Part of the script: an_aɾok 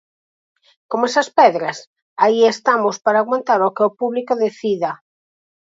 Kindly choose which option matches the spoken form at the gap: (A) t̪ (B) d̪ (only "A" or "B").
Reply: A